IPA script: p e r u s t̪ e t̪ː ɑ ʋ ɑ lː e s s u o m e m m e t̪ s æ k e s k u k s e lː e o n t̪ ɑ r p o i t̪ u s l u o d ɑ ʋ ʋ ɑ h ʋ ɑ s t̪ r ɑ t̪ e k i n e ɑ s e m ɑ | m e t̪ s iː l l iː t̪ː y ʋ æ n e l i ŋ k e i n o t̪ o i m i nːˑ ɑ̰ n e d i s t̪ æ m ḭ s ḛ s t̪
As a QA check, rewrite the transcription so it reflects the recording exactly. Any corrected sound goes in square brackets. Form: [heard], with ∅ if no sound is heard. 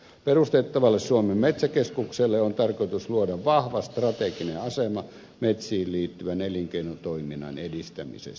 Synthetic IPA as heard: p e r u s t̪ e t̪ː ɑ ʋ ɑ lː e s s u o m e m m e t̪ s æ k e s k u k s e lː e o n t̪ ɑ r [k] o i t̪ u s l u o d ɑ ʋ ʋ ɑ h ʋ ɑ s t̪ r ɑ t̪ e k i n e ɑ s e m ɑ | m e t̪ s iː l l iː t̪ː y ʋ æ n e l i ŋ k e i n o t̪ o i m i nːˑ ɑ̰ n e d i s t̪ æ m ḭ s ḛ s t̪